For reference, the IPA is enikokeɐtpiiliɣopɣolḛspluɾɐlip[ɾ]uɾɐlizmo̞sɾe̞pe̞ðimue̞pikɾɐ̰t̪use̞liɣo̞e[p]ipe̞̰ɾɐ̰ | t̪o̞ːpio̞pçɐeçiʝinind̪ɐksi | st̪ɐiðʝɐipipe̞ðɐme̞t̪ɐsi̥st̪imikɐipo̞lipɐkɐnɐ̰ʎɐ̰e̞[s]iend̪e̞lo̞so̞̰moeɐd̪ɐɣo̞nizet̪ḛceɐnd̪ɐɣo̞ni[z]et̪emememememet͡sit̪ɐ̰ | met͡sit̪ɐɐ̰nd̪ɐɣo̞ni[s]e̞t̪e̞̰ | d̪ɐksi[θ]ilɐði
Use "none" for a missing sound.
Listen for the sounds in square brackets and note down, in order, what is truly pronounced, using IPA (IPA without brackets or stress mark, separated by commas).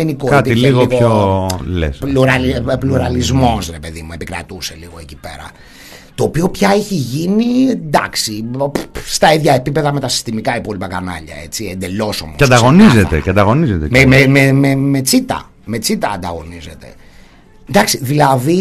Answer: l, c, t͡s, z, z, ð